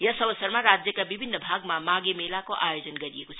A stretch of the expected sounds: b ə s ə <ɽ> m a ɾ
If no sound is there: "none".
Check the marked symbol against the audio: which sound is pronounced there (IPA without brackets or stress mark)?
ɾ